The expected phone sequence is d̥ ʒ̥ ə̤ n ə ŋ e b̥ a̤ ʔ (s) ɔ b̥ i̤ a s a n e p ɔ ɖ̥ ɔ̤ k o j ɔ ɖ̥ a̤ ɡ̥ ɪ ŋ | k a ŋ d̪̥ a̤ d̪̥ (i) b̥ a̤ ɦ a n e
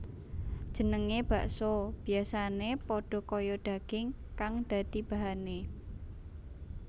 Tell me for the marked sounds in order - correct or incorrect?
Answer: correct, correct

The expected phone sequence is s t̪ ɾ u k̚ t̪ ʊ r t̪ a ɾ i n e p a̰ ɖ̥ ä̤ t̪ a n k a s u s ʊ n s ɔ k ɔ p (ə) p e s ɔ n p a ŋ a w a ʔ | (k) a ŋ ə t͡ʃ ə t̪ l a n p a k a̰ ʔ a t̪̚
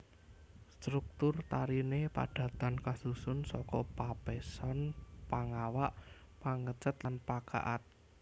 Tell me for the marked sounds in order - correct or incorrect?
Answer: incorrect, incorrect

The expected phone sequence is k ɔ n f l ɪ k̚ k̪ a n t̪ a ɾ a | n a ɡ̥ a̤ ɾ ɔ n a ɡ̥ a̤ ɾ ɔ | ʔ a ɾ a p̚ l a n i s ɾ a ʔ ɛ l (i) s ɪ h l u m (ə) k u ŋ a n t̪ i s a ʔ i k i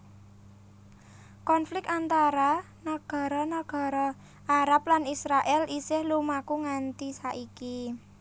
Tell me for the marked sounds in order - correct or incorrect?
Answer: correct, incorrect

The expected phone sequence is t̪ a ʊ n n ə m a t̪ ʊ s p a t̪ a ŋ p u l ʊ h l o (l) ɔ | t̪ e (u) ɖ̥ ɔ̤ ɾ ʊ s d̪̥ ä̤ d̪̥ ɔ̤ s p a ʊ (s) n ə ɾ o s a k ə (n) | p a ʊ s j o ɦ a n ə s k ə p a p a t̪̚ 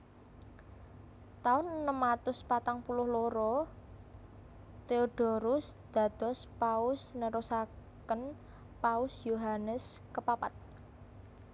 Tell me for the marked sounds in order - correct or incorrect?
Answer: incorrect, incorrect, correct, correct

